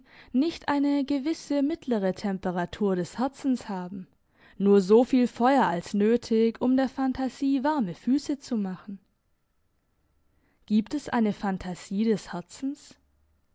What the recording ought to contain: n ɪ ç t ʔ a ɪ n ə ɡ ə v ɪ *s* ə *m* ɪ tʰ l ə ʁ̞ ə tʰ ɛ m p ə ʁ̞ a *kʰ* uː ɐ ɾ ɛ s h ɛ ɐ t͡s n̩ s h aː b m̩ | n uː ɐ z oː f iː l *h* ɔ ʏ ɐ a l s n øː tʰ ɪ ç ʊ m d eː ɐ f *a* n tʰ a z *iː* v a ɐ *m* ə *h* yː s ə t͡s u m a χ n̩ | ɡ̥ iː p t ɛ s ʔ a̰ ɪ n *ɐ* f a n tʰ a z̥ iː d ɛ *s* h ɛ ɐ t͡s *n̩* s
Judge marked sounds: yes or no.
yes, yes, no, no, yes, yes, yes, no, no, yes, yes

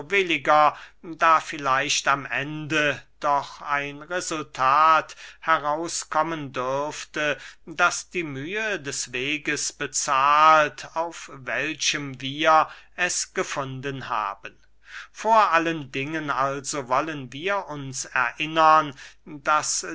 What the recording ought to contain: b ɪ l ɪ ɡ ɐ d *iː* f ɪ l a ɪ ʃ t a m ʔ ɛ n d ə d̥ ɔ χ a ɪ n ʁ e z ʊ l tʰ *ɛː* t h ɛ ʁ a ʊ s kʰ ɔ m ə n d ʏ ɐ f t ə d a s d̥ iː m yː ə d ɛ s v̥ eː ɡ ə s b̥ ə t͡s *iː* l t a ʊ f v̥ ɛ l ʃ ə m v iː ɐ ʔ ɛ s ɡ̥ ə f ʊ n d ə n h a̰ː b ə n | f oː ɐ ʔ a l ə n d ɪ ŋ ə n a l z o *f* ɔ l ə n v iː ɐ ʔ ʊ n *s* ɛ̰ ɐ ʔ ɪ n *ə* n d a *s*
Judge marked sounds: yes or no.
no, no, no, no, yes, no, yes

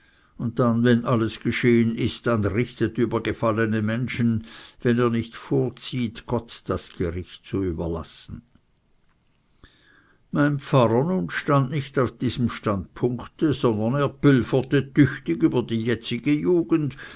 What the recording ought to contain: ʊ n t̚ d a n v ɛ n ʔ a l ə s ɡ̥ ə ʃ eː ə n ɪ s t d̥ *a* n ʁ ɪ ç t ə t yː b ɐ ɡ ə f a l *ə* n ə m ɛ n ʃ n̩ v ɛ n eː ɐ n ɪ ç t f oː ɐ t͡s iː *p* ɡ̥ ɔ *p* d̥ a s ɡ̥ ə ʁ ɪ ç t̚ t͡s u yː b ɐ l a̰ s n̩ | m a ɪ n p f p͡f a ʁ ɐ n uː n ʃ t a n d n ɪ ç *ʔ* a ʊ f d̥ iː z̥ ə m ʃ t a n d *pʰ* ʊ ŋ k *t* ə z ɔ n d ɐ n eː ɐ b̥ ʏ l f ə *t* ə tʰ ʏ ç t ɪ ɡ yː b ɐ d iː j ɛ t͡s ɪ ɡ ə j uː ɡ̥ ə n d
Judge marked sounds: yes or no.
yes, yes, no, no, no, yes, yes, yes

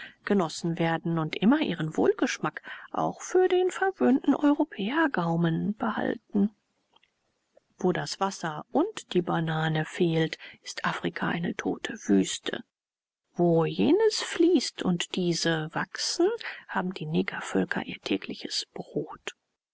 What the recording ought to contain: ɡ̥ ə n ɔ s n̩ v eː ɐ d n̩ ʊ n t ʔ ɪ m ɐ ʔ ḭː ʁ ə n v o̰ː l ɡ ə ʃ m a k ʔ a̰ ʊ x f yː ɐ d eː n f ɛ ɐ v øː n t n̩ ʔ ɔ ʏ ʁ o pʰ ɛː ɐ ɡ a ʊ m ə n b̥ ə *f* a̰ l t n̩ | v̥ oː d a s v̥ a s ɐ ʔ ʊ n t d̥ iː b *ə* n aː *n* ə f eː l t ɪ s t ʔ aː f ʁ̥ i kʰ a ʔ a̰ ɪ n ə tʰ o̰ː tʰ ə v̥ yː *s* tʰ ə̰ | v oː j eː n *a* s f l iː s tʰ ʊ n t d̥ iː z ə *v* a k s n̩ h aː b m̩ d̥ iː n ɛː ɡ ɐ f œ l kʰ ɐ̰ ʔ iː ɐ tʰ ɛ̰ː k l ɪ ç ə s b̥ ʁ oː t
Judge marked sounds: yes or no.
no, no, yes, yes, no, yes

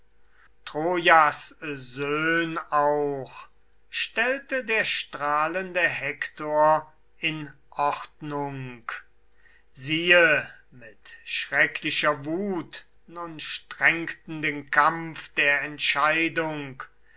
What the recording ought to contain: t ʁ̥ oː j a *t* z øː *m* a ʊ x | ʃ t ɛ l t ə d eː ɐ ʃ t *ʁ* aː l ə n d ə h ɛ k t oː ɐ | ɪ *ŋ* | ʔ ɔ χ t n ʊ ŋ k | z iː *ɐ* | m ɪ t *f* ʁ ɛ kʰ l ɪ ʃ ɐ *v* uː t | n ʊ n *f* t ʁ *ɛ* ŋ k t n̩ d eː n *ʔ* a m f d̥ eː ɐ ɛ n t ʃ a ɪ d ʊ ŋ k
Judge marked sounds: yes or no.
no, no, yes, no, no, no, yes, no, yes, no

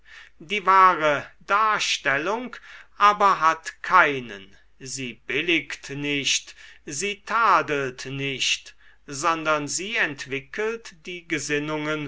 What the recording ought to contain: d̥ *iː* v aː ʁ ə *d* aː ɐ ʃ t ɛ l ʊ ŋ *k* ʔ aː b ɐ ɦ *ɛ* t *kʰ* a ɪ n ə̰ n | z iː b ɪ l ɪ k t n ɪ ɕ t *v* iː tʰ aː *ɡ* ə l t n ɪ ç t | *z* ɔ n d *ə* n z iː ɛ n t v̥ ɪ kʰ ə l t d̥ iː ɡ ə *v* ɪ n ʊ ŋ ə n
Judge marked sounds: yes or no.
yes, yes, yes, no, yes, no, no, yes, no, no

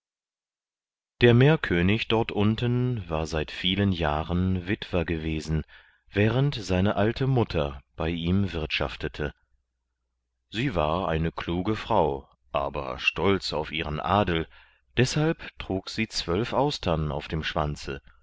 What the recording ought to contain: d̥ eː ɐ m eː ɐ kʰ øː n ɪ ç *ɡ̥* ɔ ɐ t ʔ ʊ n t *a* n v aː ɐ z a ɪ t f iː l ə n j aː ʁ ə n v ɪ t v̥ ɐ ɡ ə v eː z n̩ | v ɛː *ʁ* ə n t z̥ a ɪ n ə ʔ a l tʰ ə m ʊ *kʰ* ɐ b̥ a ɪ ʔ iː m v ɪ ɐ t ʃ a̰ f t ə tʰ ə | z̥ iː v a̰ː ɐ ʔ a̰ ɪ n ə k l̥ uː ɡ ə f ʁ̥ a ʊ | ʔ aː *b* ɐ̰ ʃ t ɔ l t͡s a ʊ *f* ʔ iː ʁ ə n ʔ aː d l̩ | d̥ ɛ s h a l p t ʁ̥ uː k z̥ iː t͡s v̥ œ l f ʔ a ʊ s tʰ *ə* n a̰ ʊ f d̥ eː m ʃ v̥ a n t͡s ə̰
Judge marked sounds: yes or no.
no, no, yes, no, yes, yes, no

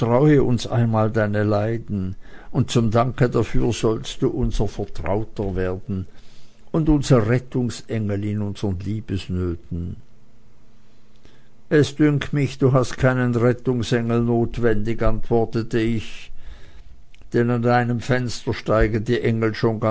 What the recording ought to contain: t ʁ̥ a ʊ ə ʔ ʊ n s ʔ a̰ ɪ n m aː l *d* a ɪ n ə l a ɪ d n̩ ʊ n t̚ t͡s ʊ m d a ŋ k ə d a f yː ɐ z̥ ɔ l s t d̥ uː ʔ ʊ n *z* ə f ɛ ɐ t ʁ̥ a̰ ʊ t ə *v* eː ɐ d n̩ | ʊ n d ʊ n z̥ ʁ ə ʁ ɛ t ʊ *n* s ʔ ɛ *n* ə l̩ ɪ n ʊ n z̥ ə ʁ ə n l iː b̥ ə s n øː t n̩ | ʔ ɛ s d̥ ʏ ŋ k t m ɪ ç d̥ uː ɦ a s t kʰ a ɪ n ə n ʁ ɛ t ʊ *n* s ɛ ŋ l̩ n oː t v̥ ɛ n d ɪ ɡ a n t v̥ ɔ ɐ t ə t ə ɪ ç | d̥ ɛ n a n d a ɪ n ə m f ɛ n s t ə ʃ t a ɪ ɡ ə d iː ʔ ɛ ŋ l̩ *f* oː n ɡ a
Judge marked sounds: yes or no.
yes, yes, yes, no, no, no, no

